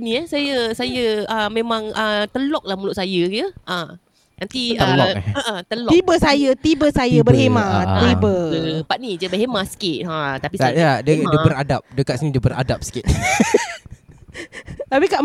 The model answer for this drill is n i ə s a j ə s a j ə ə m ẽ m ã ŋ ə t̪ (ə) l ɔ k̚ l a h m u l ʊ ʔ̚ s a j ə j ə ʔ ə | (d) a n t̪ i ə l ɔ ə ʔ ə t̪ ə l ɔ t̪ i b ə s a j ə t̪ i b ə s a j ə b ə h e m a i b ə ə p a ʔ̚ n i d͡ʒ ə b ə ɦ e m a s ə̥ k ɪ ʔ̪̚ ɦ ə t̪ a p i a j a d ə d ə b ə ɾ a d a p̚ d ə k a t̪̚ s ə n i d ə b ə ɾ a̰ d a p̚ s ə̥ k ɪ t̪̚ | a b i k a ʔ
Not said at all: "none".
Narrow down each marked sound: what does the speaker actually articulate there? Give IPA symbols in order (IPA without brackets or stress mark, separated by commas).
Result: ə, n